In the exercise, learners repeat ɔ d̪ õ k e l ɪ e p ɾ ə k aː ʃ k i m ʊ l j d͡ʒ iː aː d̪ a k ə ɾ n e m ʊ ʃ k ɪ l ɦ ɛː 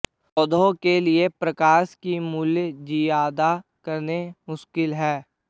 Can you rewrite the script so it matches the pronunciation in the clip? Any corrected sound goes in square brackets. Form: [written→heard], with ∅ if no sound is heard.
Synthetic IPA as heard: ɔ d̪ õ k e l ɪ e p ɾ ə k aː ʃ k i m ʊ l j d͡ʒ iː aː d̪ a k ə ɾ n e m ʊ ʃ k ɪ l ɦ ɛː

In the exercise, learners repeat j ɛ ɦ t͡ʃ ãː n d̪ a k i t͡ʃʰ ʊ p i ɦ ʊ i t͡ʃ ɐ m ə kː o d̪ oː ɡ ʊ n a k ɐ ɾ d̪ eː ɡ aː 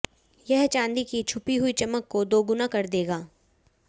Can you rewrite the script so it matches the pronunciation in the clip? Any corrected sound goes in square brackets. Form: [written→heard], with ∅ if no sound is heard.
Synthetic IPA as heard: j ɛ ɦ t͡ʃ ãː n d̪ [a→i] k i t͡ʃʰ ʊ p i ɦ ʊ i t͡ʃ ɐ m ə kː o d̪ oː ɡ ʊ n a k ɐ ɾ d̪ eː ɡ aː

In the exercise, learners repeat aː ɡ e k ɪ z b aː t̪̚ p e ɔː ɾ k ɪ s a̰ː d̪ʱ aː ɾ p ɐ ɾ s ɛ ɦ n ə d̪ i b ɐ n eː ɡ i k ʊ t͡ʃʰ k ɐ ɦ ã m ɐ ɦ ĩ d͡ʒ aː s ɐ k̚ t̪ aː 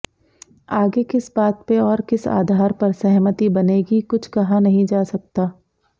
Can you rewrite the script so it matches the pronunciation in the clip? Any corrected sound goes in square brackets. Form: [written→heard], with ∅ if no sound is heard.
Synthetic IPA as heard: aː ɡ e k ɪ [z→s] b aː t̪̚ p e ɔː ɾ k ɪ s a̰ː d̪ʱ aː ɾ p ɐ ɾ s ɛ ɦ [n→m] ə [d̪→t̪] i b ɐ n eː ɡ i k ʊ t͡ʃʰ k ɐ ɦ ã [m→n] ɐ ɦ ĩ d͡ʒ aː s ɐ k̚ t̪ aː

